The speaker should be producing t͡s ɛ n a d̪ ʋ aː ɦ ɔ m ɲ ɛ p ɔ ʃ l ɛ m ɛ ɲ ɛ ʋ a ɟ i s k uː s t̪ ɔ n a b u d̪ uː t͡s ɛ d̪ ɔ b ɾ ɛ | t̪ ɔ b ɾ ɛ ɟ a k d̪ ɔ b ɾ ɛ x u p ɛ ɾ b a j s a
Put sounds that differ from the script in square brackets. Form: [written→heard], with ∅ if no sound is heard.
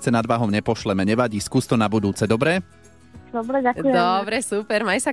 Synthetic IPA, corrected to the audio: t͡s ɛ n a d̪ ʋ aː ɦ ɔ m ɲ ɛ p ɔ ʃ l ɛ m ɛ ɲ ɛ ʋ a ɟ i s k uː s t̪ ɔ n a b u d̪ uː t͡s ɛ d̪ ɔ b ɾ ɛ | [t̪→d̪] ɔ b ɾ ɛ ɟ a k d̪ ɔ b ɾ ɛ [x→s] u p ɛ ɾ [b→m] a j s a